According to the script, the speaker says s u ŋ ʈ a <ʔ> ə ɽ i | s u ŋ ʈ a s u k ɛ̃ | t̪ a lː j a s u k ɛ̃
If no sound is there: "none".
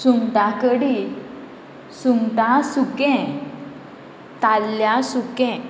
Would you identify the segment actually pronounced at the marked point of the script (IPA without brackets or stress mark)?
k